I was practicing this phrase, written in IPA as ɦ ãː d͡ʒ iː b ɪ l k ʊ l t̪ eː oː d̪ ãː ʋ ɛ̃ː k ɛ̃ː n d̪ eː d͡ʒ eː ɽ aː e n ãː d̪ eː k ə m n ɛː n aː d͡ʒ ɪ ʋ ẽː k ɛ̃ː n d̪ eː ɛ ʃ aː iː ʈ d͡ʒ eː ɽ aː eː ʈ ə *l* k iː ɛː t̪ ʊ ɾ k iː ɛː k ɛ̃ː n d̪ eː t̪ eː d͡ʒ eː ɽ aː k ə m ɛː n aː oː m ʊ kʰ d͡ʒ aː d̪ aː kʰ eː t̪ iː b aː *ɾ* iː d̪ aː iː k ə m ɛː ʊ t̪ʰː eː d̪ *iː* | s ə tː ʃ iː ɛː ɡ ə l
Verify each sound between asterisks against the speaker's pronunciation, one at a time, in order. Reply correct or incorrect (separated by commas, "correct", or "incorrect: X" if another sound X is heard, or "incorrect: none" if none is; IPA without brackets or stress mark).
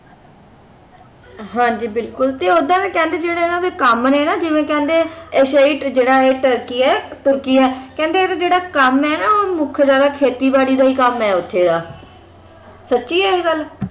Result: incorrect: ɾ, incorrect: ɽ, incorrect: aː